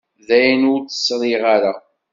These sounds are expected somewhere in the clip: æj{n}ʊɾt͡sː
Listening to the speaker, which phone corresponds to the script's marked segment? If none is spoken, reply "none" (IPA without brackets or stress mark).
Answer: n